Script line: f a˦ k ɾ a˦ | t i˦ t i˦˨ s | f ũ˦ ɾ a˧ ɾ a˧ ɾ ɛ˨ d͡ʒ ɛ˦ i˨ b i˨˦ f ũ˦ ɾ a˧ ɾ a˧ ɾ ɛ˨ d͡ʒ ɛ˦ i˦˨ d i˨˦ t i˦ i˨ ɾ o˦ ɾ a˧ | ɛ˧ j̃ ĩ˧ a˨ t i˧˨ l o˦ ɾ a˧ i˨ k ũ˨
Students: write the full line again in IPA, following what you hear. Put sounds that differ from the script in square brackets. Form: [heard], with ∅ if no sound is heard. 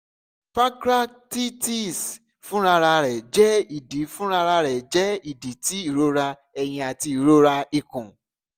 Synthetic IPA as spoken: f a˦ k ɾ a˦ | t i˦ t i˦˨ s | f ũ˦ ɾ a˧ ɾ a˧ ɾ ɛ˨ d͡ʒ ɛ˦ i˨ [d] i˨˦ f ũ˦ ɾ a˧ ɾ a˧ ɾ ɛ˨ d͡ʒ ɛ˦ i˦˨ d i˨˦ t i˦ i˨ ɾ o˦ ɾ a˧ | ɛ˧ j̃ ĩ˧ a˨ t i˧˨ [ɾ] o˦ ɾ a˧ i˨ k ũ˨